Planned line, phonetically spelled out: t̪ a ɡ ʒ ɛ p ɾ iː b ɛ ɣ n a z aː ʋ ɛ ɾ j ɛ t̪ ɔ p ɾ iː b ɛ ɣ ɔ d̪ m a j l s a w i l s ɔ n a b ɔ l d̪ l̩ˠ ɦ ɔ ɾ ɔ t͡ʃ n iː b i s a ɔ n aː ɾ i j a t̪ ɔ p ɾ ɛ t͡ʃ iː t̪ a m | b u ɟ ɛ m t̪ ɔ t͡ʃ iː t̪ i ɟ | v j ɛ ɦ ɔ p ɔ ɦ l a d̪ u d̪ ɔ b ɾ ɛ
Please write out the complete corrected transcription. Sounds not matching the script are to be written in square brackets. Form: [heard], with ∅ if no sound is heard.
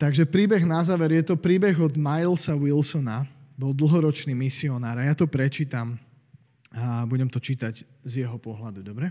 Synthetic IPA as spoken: t̪ a ɡ ʒ ɛ p ɾ iː b ɛ ɣ n a z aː ʋ ɛ ɾ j ɛ t̪ ɔ p ɾ iː b ɛ ɣ ɔ d̪ m a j l s a w i l s ɔ n a b ɔ l d̪ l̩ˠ ɦ ɔ ɾ ɔ t͡ʃ n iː [m] i s [i] ɔ n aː ɾ [a] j a t̪ ɔ p ɾ ɛ t͡ʃ iː t̪ a m | b u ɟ ɛ m t̪ ɔ t͡ʃ iː t̪ [a] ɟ | [z] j ɛ ɦ ɔ p ɔ ɦ l a d̪ u d̪ ɔ b ɾ ɛ